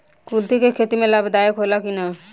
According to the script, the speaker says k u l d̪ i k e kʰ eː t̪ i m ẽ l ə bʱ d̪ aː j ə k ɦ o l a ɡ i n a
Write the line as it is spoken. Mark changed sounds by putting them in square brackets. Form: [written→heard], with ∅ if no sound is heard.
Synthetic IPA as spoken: k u l [d̪→t̪] i k e kʰ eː t̪ i m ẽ l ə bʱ d̪ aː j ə k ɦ o l a [ɡ→k] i n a